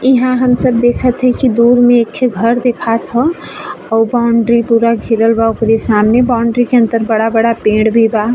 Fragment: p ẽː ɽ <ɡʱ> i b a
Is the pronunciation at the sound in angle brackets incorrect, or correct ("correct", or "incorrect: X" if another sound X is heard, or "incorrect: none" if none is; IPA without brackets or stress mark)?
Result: incorrect: bʱ